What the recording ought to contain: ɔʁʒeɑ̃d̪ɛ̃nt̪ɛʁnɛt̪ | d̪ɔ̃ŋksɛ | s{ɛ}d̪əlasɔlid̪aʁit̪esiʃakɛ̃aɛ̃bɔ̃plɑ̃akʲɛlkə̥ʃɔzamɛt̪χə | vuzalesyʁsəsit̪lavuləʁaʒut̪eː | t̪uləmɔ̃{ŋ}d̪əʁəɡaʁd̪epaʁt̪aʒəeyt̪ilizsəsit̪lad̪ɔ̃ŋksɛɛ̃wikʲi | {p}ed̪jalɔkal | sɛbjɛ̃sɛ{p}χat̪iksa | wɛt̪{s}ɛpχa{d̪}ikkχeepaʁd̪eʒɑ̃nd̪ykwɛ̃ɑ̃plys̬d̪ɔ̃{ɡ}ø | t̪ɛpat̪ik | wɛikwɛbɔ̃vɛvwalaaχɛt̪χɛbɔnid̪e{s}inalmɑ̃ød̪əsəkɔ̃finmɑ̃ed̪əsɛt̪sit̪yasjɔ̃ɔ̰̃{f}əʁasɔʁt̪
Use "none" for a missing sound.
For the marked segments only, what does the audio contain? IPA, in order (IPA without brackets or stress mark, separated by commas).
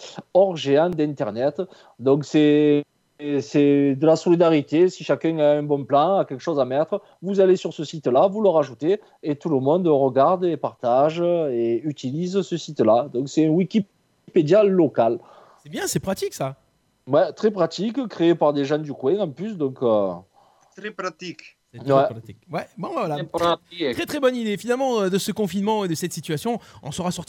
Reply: ɛ, n, p, p, χ, t̪, k, f, s